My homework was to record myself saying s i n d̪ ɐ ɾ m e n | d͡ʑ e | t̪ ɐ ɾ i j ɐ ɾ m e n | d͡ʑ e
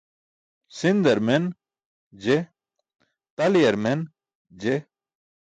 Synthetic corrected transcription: s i n d̪ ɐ ɾ m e n | d͡ʑ e | t̪ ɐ l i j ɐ ɾ m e n | d͡ʑ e